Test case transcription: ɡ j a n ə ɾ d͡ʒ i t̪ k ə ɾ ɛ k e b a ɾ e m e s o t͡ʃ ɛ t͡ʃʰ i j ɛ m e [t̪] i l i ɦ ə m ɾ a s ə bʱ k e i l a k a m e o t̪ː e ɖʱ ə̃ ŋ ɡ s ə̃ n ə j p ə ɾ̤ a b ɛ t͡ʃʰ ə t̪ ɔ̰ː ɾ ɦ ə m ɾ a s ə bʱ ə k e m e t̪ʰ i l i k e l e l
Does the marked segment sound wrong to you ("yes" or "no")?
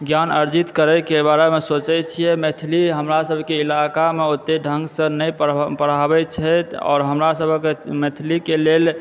yes